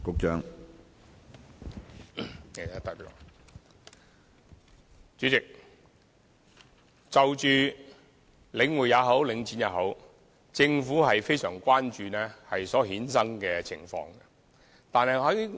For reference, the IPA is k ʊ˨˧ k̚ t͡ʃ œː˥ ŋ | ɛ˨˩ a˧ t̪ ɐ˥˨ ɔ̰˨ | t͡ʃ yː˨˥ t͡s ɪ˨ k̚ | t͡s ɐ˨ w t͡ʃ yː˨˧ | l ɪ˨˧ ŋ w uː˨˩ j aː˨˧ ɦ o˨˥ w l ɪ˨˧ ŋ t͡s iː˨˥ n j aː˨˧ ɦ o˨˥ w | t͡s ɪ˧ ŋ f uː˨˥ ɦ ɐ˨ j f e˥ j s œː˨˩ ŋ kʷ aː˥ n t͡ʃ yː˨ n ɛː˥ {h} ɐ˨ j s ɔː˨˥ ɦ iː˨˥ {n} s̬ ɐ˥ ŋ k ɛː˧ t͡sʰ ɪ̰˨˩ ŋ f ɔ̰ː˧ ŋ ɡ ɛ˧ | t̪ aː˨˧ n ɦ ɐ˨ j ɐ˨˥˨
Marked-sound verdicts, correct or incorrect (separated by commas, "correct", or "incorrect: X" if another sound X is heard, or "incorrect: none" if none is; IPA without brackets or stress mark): correct, correct